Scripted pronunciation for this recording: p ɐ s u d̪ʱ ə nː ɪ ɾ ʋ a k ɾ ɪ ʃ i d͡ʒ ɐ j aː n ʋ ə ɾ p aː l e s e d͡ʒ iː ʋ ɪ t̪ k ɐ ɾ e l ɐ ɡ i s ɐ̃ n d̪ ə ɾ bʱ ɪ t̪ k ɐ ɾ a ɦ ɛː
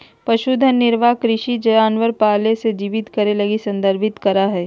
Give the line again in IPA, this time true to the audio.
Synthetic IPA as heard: p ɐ ʃ u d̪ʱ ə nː ɪ ɾ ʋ a k ɾ ɪ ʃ i d͡ʒ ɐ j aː n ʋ ə ɾ p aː l e s e d͡ʒ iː ʋ ɪ t̪ k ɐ ɾ e l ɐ ɡ i s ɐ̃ n d̪ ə ɾ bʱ ɪ t̪ k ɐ ɾ a ɦ ɛː